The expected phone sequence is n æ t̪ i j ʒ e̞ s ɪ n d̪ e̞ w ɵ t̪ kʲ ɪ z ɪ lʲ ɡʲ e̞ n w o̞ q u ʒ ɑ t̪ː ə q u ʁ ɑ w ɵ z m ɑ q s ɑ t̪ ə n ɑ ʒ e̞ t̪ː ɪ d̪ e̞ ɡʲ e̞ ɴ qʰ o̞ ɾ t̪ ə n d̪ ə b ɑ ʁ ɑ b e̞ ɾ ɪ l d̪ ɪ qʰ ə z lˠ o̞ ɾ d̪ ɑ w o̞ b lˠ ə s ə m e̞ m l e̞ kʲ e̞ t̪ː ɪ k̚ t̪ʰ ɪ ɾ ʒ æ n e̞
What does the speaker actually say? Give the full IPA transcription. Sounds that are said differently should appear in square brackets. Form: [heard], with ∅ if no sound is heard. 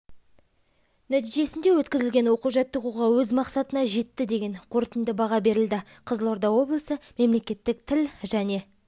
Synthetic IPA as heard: n æ t̪ i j ʒ e̞ s ɪ n d̪ e̞ w ɵ t̪ kʲ ɪ z ɪ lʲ ɡʲ e̞ n w o̞ q u ʒ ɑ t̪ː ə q u ʁ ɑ w ɵ z m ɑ q s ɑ t̪ ə n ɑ ʒ e̞ t̪ː ɪ d̪ e̞ ɡʲ e̞ ɴ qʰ o̞ ɾ t̪ ə n d̪ ə b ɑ ʁ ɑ b e̞ ɾ ɪ l d̪ ɪ qʰ ə z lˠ o̞ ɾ d̪ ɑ w o̞ b lˠ ə s ə m e̞ m l e̞ kʲ e̞ t̪ː ɪ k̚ t̪ʰ ɪ [l] ʒ æ n e̞